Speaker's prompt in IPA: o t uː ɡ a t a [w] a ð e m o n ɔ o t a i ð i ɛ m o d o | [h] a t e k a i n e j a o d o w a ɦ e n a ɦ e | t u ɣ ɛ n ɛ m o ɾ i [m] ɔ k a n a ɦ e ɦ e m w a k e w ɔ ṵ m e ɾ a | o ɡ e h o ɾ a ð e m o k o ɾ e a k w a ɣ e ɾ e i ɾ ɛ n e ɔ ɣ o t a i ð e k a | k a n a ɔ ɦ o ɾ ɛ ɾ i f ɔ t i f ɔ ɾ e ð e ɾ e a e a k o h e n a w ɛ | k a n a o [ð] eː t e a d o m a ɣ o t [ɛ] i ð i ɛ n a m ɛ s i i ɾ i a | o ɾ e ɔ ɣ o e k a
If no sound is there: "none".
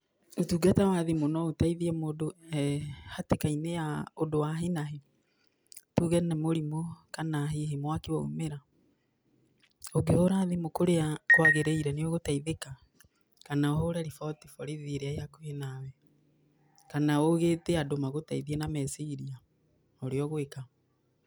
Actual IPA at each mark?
w, h, m, ɣ, a

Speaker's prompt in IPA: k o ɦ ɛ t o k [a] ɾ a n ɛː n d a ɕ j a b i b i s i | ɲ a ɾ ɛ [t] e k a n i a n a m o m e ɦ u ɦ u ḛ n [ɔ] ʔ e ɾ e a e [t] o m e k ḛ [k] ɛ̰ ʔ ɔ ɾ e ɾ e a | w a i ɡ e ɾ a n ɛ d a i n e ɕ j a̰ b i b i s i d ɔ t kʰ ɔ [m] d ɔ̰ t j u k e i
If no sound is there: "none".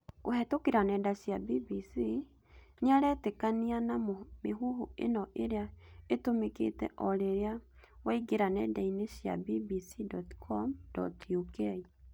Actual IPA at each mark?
e, t, ɔ, t, t, m

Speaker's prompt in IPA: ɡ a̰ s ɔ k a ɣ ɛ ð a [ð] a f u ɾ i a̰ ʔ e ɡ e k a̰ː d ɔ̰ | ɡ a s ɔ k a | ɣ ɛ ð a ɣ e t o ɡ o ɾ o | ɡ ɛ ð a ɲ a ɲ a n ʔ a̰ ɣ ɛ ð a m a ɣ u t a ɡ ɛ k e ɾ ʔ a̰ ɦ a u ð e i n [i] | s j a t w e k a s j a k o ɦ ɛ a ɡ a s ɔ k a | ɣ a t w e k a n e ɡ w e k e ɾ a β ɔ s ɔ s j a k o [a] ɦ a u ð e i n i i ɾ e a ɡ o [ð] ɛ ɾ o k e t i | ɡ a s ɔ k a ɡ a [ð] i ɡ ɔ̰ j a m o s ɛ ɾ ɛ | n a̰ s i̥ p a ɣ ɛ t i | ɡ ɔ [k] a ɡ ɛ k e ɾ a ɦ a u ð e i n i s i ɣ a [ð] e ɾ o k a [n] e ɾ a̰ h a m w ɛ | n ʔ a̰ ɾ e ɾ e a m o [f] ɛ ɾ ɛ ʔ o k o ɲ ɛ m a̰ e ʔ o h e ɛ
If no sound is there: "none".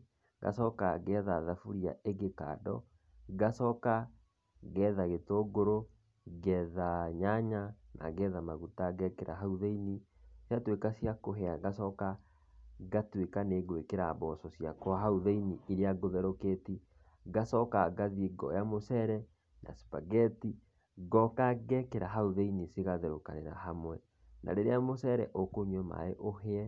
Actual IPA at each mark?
ð, i, a, ð, ð, k, ð, n, s

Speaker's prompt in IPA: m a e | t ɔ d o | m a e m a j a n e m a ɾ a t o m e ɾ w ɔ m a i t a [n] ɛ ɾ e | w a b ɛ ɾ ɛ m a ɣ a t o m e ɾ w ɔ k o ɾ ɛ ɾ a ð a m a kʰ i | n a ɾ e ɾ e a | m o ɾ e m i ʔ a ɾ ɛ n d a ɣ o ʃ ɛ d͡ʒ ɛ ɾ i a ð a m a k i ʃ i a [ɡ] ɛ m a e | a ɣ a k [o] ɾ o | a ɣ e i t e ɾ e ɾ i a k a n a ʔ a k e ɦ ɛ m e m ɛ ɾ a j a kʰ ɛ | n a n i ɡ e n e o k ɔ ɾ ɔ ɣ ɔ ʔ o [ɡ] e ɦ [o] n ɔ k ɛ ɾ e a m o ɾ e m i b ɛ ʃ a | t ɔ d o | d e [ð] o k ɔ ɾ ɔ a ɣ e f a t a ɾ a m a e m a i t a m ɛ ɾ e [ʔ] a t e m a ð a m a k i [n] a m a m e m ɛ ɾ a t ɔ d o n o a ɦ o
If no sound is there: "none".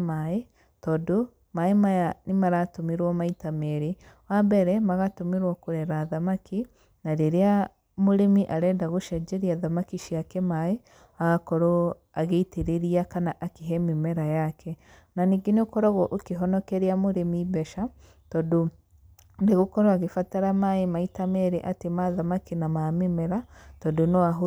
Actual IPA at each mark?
m, k, ɔ, k, ɔ, ɣ, ʔ, n

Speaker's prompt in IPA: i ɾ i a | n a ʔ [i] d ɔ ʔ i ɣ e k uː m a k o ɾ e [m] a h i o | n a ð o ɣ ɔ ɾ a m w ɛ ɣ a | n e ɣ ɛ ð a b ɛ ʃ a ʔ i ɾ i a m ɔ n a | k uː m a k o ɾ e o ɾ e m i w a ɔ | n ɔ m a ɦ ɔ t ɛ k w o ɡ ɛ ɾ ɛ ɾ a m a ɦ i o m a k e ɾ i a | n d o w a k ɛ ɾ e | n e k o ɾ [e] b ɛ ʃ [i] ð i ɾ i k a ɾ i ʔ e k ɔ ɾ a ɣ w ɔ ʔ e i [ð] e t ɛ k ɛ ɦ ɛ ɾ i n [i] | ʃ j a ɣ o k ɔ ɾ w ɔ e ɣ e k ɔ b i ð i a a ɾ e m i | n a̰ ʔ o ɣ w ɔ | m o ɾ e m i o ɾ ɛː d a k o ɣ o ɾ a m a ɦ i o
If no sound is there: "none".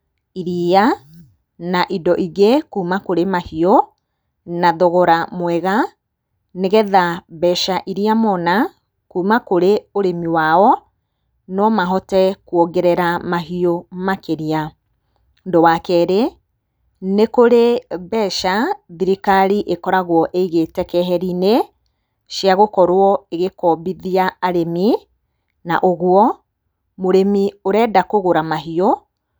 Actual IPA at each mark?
i, m, e, a, ɣ, e

